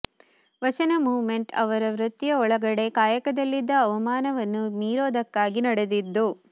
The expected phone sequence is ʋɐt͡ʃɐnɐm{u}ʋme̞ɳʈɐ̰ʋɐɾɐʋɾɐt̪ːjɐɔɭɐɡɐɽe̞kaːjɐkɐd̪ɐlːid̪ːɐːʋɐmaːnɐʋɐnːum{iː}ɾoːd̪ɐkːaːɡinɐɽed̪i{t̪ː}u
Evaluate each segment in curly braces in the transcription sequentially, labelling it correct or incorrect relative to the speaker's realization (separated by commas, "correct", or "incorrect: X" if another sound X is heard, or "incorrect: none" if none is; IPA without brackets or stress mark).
incorrect: uː, correct, incorrect: d̪ː